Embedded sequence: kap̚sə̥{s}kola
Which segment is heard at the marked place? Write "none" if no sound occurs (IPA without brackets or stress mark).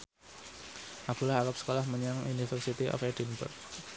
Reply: none